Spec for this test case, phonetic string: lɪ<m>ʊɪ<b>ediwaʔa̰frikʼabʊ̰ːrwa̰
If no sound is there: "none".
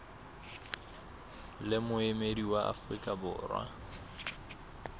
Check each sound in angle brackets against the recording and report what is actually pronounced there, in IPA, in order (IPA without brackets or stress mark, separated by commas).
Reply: m, m